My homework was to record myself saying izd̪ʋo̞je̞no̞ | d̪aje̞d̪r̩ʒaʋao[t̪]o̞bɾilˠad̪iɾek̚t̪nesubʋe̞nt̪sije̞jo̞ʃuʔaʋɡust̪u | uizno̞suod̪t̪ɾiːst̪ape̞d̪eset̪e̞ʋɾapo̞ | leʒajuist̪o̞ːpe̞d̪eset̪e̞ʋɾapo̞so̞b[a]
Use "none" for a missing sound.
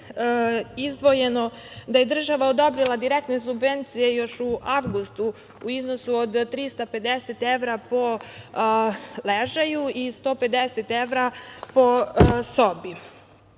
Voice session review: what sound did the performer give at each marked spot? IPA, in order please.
d̪, i

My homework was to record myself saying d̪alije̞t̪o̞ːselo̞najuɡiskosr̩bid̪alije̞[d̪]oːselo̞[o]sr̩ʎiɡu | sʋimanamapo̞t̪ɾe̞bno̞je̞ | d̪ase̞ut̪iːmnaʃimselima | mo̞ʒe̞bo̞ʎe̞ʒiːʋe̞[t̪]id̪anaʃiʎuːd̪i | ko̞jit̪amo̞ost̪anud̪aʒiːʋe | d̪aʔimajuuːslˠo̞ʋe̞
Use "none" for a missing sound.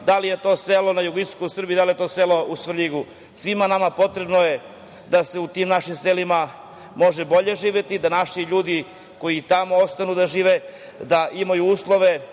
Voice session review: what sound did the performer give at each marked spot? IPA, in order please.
t̪, u, t̪

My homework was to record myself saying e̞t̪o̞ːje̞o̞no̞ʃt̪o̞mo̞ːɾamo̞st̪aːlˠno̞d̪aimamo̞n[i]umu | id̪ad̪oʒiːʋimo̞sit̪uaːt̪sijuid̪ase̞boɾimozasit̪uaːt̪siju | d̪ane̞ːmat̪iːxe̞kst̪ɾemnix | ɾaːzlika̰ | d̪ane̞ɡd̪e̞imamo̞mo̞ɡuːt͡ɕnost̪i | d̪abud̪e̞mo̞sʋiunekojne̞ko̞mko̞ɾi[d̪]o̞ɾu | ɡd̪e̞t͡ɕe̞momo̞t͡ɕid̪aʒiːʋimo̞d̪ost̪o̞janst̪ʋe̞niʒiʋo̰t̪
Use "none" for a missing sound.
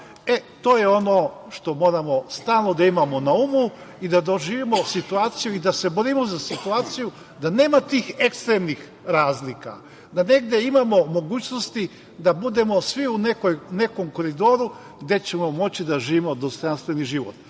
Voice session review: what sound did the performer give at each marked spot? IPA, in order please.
a, d̪

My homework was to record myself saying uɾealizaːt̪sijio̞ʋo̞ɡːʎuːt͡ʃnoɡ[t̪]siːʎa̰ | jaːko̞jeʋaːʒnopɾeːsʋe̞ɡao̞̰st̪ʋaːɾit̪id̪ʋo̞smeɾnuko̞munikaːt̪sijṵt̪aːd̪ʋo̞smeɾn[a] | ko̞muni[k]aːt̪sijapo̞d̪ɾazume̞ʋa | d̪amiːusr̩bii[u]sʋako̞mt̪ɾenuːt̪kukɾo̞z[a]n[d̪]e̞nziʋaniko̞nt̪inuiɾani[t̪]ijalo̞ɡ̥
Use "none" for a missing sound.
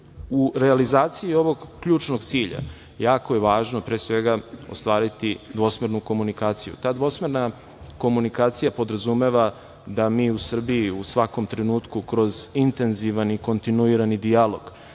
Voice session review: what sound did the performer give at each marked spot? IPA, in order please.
t̪, a, k, u, i, t̪, d̪

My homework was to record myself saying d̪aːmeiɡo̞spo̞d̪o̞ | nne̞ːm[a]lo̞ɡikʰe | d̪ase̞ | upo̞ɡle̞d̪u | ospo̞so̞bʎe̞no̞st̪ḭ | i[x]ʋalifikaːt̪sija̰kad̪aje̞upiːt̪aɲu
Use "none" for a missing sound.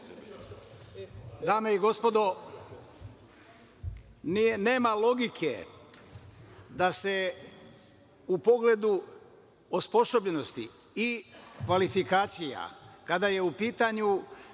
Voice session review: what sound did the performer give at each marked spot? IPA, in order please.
a, k

